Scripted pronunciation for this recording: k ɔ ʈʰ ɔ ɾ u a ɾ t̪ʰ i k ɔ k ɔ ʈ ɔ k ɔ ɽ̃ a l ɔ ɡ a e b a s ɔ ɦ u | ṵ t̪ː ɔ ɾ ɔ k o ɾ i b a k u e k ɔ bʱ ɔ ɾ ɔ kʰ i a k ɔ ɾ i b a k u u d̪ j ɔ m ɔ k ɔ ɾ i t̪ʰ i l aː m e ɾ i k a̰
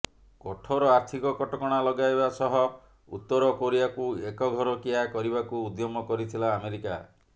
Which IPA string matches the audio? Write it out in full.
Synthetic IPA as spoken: k ɔ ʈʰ ɔ ɾ ɔ a ɾ t̪ʰ i k ɔ k ɔ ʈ ɔ k ɔ ɽ̃ a l ɔ ɡ a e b a s ɔ ɦ ɔ | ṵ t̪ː ɔ ɾ ɔ k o ɾ i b a k u e k ɔ ɡʱ ɔ ɾ ɔ k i a k ɔ ɾ i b a k u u d̪ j ɔ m ɔ k ɔ ɾ i t̪ʰ i l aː m e ɾ i k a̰

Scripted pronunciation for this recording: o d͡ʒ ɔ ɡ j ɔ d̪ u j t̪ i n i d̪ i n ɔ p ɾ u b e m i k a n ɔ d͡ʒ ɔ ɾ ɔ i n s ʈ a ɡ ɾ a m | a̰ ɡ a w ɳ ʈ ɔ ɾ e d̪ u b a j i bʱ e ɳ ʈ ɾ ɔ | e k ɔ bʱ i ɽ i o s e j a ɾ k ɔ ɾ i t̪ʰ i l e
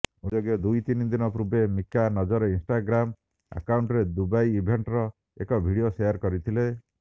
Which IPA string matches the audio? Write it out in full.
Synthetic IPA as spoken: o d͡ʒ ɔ ɡ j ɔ d̪ u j t̪ i n i d̪ i n ɔ p ɾ u b e m i k a n ɔ d͡ʒ ɔ ɾ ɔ i n s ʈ a ɡ ɾ a m | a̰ k a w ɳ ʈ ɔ ɾ e d̪ u b a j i bʱ e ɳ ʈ ɾ ɔ | e k ɔ bʱ i ɽ i o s e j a ɾ k ɔ ɾ i t̪ʰ i l e

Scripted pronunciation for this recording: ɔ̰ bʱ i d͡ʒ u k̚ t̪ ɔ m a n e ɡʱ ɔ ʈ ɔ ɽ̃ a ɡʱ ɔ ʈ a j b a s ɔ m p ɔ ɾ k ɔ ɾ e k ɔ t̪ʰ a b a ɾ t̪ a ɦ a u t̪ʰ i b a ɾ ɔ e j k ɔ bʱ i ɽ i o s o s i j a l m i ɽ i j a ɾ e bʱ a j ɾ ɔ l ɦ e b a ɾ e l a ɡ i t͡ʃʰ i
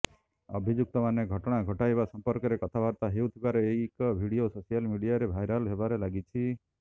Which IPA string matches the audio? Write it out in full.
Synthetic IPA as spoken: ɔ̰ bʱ i d͡ʒ u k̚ t̪ ɔ m a n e ɡʱ ɔ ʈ ɔ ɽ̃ a ɡʱ ɔ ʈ a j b a s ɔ m p ɔ ɾ k ɔ ɾ e k ɔ t̪ʰ a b a ɾ t̪ a ɦ e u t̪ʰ i b a ɾ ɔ e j k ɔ bʱ i ɽ i o s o s i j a l m i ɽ i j a ɾ e bʱ a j ɾ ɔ l ɦ e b a ɾ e l a ɡ i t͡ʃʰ i

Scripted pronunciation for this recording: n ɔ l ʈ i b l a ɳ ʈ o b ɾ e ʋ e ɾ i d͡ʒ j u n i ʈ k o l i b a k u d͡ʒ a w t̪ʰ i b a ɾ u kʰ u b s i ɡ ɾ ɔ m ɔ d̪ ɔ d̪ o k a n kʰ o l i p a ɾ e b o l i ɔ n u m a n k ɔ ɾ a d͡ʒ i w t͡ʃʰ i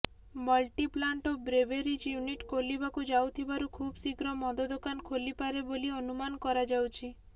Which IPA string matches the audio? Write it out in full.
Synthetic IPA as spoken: m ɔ l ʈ i p l a ɳ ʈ o b ɾ e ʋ e ɾ i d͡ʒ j u n i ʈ k o l i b a k u d͡ʒ a w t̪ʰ i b a ɾ u kʰ u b s i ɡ ɾ ɔ m ɔ d̪ ɔ d̪ o k a n kʰ o l i p a ɾ e b o l i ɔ n u m a n k ɔ ɾ a d͡ʒ a w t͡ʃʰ i

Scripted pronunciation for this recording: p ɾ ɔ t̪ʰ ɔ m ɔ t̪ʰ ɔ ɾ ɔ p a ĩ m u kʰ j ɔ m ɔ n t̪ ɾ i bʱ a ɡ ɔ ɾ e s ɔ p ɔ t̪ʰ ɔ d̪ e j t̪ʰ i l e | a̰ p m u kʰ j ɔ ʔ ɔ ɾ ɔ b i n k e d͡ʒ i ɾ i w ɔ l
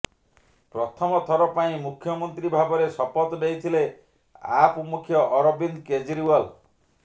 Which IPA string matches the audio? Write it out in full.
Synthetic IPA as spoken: p ɾ ɔ t̪ʰ ɔ m ɔ t̪ʰ ɔ ɾ ɔ p a ĩ m u kʰ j ɔ m ɔ n t̪ ɾ i bʱ a b ɔ ɾ e s ɔ p ɔ t̪ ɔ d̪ e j t̪ʰ i l e | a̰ p m u kʰ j ɔ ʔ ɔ ɾ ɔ b i n k e d͡ʒ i ɾ i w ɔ l

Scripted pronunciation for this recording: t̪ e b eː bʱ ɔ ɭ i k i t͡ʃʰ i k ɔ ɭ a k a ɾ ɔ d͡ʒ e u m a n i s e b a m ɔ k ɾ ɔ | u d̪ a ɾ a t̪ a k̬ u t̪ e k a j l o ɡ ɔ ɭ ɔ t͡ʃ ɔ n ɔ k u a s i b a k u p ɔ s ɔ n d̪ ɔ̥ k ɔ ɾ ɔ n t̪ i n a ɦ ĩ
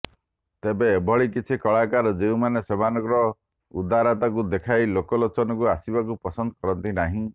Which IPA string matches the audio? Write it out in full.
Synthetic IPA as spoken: t̪ e b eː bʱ ɔ ɭ i k i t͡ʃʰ i k ɔ ɭ a k a ɾ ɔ d͡ʒ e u m a n e s e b a n ɔ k ɾ ɔ | u d̪ a ɾ a t̪ a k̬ u d̪ e kʰ a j l o k ɔ l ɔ t͡ʃ ɔ n ɔ k u a s i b a k u p ɔ s ɔ n d̪ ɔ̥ k ɔ ɾ ɔ n t̪ i n a ɦ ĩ

